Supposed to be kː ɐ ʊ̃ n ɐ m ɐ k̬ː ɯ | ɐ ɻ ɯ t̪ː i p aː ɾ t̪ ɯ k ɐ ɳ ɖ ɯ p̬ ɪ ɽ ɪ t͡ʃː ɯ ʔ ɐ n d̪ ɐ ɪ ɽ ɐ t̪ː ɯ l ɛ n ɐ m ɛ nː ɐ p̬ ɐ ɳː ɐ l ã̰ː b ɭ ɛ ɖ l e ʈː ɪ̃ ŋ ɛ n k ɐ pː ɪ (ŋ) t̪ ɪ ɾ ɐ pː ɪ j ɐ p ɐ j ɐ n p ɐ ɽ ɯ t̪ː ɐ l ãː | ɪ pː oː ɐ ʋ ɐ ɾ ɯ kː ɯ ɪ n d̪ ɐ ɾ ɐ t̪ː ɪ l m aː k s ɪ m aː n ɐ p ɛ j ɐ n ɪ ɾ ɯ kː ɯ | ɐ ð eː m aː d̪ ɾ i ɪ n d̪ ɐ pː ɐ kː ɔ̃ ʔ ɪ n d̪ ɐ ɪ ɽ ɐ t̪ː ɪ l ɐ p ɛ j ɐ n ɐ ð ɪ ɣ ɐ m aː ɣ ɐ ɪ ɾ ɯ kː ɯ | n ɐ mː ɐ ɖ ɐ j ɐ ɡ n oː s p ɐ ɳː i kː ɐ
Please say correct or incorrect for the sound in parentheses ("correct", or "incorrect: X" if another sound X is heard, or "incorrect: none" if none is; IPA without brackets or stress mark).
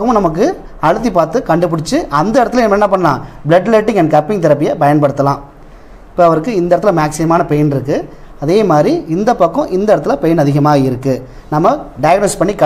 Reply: correct